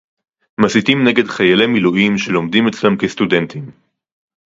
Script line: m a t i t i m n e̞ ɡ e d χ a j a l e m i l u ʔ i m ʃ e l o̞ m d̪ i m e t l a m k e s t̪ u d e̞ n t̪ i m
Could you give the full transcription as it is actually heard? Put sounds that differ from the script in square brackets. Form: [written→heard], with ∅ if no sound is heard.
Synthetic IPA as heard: m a [t→s] i t i m n e̞ ɡ e d χ a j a l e m i l u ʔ i m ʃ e l o̞ m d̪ i m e [t→t͡s] l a m k e s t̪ u d e̞ n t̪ i m